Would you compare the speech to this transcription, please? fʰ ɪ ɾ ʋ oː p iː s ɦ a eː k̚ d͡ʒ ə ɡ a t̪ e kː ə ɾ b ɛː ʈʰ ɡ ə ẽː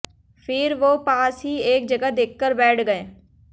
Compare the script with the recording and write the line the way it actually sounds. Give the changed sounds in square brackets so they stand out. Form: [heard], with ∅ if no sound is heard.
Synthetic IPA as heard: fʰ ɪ ɾ ʋ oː p [aː] s ɦ [i] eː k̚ d͡ʒ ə ɡ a [d̪] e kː ə ɾ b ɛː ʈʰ ɡ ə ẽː